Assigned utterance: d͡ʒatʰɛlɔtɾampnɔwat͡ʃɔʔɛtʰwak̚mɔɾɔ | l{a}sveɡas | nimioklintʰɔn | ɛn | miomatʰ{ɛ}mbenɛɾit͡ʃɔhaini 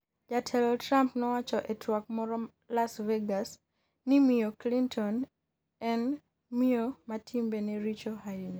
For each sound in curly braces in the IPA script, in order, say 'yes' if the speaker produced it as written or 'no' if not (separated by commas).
yes, no